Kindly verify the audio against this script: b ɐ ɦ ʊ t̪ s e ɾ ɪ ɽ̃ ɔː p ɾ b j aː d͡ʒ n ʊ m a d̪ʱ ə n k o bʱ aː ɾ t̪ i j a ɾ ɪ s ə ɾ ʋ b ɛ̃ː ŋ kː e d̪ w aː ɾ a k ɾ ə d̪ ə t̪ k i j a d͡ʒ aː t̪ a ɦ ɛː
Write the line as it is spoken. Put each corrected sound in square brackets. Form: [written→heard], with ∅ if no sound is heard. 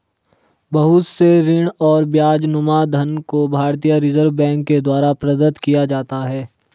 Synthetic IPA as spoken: b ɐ ɦ ʊ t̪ s e ɾ ɪ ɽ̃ ɔː [p→∅] ɾ b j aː d͡ʒ n ʊ m a d̪ʱ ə n k o bʱ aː ɾ t̪ i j a ɾ ɪ [s→z] ə ɾ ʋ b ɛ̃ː ŋ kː e d̪ w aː ɾ a [k→p] ɾ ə d̪ ə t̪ k i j a d͡ʒ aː t̪ a ɦ ɛː